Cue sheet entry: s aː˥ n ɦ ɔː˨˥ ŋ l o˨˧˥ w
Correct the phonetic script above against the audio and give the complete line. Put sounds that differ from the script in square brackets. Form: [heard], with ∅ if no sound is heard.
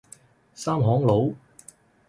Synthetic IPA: s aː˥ [m] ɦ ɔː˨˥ ŋ l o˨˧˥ w